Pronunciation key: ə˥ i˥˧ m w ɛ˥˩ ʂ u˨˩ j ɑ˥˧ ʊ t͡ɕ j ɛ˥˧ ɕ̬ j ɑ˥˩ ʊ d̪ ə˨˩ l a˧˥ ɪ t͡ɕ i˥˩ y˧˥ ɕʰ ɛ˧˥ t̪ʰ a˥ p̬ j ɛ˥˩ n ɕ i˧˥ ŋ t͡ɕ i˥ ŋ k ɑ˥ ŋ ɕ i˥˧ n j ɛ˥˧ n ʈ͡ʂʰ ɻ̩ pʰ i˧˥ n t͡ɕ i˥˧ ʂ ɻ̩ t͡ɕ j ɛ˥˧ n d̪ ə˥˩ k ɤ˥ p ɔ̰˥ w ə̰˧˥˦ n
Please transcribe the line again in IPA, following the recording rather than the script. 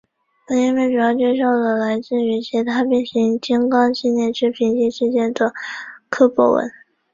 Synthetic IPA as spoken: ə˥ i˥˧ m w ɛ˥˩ ʈ͡ʂ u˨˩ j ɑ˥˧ ʊ t͡ɕ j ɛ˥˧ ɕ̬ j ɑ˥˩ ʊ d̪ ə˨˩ l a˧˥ ɪ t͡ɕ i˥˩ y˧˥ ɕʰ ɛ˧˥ t̪ʰ a˥ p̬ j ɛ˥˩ n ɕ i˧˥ ŋ t͡ɕ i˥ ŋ k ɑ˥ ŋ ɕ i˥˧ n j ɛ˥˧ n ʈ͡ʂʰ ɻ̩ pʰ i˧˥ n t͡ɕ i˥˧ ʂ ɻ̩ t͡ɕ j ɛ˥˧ n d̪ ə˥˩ kʰ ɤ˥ p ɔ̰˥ w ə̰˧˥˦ n

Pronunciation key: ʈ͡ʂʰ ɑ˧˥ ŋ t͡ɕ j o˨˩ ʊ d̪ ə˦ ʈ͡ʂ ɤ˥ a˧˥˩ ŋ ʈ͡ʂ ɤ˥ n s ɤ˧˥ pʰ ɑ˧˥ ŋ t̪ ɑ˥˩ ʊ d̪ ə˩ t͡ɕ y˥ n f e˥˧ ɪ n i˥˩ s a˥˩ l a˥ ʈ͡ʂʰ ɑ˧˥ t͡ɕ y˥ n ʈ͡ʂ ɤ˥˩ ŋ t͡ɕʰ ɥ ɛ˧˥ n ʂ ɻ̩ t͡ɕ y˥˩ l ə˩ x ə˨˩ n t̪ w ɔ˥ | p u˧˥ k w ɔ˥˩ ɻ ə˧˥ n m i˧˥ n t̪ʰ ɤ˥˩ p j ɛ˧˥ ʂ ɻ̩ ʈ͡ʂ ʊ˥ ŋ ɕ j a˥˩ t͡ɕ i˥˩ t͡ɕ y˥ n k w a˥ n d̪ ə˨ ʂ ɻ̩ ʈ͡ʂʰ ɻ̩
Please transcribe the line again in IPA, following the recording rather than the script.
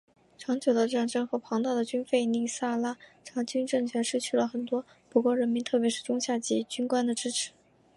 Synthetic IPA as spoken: ʈ͡ʂʰ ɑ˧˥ ŋ t͡ɕ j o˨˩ ʊ d̪ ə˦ ʈ͡ʂ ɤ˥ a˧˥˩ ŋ ʈ͡ʂ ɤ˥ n x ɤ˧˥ pʰ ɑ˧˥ ŋ t̪ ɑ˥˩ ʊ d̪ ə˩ t͡ɕ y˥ n f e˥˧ ɪ n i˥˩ s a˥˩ l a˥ ʈ͡ʂʰ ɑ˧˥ t͡ɕ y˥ n ʈ͡ʂ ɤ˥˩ ŋ t͡ɕʰ ɥ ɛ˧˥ n ʂ ɻ̩ t͡ɕʰ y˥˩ l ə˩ x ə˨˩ n t̪ w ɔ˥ | p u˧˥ k w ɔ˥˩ ɻ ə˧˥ n m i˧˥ n t̪ʰ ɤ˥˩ p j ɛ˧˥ ʂ ɻ̩ ʈ͡ʂ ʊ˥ ŋ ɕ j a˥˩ t͡ɕ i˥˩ t͡ɕ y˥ n k w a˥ n d̪ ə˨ ʈ͡ʂ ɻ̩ ʈ͡ʂʰ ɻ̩

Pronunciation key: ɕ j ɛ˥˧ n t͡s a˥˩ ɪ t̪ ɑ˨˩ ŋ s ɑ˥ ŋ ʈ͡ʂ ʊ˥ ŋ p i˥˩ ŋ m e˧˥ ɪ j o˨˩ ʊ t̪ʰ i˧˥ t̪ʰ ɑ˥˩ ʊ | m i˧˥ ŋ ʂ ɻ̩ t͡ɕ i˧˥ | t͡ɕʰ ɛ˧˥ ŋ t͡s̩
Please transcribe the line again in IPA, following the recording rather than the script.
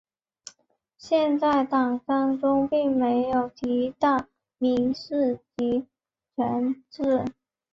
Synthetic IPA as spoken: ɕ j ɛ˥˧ n t͡s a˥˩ ɪ t̪ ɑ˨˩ ŋ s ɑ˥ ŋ ʈ͡ʂ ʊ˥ ŋ p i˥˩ ŋ m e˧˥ ɪ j o˨˩ ʊ t̪ʰ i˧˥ t̪ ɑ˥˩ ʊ | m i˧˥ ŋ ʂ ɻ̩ t͡ɕ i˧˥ | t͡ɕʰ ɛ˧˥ n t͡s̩

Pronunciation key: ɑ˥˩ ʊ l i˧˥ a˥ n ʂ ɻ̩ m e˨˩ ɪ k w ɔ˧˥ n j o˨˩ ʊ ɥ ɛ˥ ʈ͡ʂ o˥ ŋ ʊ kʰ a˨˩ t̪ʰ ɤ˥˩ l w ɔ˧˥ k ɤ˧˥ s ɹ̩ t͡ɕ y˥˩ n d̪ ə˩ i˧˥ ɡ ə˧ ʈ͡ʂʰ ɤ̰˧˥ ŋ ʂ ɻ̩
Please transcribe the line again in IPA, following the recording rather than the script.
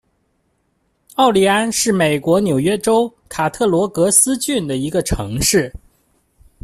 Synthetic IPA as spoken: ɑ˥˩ ʊ l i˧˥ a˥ n ʂ ɻ̩ m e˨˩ ɪ k w ɔ˧˥ n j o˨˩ ʊ ɥ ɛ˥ ʈ͡ʂ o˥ ʊ kʰ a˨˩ t̪ʰ ɤ˥˩ l w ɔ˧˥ k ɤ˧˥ s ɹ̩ t͡ɕ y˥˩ n d̪ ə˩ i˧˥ ɡ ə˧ ʈ͡ʂʰ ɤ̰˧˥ ŋ ʂ ɻ̩

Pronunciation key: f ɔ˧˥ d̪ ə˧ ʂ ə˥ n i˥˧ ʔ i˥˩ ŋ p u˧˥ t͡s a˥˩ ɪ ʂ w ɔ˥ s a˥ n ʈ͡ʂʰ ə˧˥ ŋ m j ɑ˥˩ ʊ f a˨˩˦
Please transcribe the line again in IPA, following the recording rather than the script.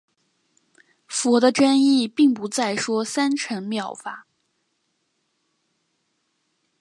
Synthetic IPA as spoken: f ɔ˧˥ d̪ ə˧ ʈ͡ʂ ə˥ n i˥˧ p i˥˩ ŋ p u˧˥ t͡s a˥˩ ɪ ʂ w ɔ˥ s a˥ n ʈ͡ʂʰ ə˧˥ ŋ m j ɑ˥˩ ʊ f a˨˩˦

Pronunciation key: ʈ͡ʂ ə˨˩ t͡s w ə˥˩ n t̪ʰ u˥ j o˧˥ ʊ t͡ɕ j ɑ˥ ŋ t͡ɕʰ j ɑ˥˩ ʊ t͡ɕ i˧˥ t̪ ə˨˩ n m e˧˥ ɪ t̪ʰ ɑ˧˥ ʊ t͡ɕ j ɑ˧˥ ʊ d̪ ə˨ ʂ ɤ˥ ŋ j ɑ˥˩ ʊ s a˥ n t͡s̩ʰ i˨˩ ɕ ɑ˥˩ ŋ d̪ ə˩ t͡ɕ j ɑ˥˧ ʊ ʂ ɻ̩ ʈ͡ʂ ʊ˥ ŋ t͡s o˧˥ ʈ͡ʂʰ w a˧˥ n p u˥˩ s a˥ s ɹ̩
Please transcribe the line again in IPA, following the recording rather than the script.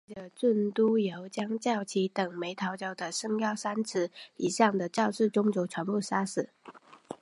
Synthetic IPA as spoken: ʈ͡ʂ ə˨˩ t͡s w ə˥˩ n t̪ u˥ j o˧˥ ʊ t͡ɕ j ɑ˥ ŋ t͡ɕ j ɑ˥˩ ʊ t͡ɕʰ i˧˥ t̪ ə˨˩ ŋ m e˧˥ ɪ t̪ʰ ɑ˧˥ ʊ t͡ɕ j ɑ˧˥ ʊ d̪ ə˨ ʂ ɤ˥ ŋ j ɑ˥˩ ʊ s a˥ n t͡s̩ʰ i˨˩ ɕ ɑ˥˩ ŋ d̪ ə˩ t͡ɕ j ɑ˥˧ ʊ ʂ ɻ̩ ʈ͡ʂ ʊ˥ ŋ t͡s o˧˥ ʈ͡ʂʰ w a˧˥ n p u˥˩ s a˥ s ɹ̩

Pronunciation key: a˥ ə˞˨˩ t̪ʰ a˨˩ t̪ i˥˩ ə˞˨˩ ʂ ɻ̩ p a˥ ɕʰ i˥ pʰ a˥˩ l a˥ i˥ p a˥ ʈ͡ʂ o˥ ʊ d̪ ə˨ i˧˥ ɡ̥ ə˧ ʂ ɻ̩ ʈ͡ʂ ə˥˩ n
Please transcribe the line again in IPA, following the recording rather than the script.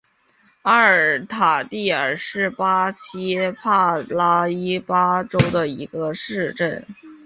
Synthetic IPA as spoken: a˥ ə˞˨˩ t̪ʰ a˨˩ t̪ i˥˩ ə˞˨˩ ʂ ɻ̩ p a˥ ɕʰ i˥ pʰ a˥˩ l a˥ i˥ p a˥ ʈ͡ʂ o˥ ʊ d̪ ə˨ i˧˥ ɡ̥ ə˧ ʂ ɻ̩ ʈ͡ʂ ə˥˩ n

